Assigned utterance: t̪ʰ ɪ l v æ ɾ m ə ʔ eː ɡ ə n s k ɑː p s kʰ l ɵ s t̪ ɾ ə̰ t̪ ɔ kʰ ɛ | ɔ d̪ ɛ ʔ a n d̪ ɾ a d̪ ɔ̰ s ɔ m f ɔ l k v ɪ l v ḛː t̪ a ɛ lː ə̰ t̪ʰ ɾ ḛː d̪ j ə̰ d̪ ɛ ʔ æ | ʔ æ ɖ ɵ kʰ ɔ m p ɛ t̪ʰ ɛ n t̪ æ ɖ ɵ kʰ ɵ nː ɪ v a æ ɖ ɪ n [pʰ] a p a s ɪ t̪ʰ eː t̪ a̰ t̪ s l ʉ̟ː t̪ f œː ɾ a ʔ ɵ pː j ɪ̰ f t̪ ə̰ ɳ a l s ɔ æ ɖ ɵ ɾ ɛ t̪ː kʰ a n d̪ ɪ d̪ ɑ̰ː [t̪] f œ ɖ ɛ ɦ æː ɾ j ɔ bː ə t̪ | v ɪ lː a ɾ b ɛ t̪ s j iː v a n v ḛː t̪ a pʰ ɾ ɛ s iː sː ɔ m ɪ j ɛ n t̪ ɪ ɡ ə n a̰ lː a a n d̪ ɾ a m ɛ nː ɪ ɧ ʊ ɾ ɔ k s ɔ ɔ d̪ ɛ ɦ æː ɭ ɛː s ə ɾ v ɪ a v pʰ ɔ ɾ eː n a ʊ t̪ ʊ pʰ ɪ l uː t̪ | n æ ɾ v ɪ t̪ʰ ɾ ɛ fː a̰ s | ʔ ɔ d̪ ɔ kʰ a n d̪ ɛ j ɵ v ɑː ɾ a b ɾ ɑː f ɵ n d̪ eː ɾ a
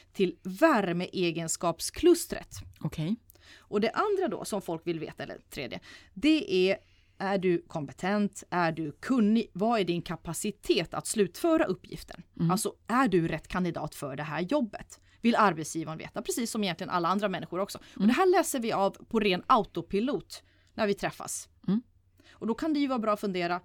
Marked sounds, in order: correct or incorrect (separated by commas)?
incorrect, correct